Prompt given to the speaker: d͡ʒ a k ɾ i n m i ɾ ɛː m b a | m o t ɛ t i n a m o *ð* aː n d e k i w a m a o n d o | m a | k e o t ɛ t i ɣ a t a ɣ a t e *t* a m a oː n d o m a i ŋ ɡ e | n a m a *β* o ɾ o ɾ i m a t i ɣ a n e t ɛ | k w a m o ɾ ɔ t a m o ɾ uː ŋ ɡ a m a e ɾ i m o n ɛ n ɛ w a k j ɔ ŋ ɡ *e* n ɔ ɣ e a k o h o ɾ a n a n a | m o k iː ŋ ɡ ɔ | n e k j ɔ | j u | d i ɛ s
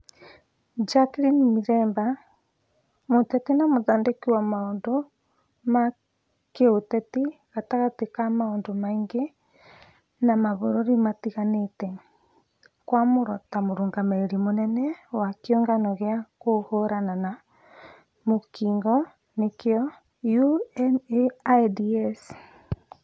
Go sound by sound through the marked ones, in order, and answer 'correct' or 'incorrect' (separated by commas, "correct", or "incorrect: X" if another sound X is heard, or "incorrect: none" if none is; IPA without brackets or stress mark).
correct, incorrect: k, correct, incorrect: a